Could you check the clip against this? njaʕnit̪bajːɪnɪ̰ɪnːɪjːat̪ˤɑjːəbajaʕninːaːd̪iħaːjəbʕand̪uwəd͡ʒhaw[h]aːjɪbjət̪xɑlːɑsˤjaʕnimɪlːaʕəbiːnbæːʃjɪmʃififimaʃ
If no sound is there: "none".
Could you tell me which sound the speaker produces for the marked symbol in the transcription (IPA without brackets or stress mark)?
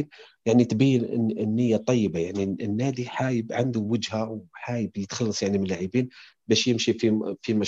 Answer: ħ